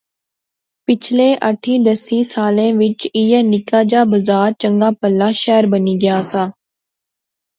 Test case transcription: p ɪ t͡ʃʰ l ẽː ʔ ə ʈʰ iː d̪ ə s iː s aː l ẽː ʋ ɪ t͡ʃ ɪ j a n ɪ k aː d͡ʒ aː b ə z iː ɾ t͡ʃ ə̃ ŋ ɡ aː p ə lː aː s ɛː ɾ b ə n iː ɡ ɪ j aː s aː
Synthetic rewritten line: p ɪ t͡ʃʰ l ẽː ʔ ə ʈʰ iː d̪ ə s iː s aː l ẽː ʋ ɪ t͡ʃ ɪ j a n ɪ k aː d͡ʒ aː b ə z aː ɾ t͡ʃ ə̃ ŋ ɡ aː p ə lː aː ʃ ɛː ɾ b ə n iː ɡ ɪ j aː s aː